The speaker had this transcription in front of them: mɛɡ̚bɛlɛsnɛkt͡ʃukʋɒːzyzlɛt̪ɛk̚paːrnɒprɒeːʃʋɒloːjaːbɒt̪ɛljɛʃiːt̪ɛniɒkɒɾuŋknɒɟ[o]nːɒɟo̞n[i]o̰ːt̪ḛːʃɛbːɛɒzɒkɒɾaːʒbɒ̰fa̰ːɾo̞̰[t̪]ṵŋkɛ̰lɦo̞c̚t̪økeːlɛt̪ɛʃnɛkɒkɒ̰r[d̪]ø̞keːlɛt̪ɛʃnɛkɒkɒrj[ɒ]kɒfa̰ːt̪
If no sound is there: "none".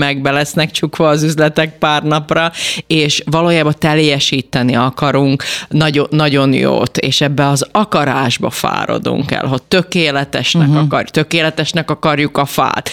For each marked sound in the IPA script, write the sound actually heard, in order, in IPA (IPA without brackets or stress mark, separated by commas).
o, j, d̪, t̪, u